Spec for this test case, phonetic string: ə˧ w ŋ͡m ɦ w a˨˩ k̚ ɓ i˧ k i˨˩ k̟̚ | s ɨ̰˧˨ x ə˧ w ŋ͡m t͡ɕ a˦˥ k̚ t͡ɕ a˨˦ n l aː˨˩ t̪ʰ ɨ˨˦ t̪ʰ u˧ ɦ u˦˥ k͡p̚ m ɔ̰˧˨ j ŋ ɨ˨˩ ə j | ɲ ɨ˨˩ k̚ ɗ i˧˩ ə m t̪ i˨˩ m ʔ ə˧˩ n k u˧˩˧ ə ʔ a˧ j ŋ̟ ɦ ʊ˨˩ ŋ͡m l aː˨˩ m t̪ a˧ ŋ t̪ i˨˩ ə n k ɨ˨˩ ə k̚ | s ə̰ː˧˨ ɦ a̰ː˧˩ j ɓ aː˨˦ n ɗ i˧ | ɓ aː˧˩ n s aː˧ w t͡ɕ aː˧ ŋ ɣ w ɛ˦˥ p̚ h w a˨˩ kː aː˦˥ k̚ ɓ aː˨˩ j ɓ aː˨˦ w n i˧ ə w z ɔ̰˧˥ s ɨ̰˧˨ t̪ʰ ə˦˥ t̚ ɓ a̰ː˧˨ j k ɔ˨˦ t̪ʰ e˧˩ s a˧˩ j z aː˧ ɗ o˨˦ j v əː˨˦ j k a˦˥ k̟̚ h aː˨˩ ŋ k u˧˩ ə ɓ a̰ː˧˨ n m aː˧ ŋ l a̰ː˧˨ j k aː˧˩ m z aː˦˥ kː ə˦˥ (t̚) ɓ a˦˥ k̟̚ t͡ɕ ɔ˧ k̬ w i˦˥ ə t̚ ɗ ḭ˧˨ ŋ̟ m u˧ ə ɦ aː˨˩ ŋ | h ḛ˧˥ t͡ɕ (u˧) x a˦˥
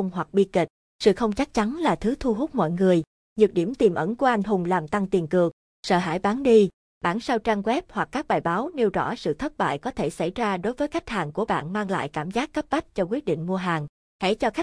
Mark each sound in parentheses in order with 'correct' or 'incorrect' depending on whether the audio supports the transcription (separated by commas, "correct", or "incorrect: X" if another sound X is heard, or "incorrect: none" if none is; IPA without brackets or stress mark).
incorrect: p̚, incorrect: ɔ˧